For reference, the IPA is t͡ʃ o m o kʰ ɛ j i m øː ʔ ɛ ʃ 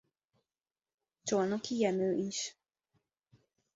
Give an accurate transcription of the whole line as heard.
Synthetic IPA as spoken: t͡ʃ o n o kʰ i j ɛ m øː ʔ i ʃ